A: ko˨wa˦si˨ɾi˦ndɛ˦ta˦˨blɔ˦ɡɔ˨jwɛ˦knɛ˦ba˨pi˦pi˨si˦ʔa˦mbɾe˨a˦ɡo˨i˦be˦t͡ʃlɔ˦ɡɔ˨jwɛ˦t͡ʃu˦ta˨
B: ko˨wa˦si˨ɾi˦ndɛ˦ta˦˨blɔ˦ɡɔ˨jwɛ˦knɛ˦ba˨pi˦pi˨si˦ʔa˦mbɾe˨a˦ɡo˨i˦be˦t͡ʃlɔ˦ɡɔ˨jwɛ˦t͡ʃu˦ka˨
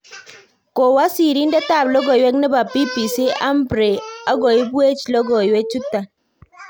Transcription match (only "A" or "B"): A